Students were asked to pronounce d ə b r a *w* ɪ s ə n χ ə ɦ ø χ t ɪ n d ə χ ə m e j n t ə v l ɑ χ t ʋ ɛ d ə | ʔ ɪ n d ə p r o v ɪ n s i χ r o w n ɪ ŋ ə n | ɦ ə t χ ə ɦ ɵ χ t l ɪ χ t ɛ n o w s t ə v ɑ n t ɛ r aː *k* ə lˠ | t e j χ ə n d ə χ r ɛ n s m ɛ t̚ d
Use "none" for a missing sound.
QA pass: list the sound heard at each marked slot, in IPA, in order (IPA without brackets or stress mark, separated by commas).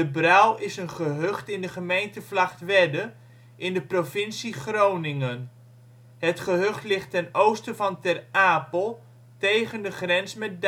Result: w, p